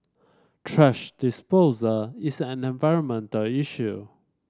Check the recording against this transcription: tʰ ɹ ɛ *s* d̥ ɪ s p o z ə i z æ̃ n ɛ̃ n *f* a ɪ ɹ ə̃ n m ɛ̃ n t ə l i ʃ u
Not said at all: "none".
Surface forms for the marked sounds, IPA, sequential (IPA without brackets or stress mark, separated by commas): ʃ, v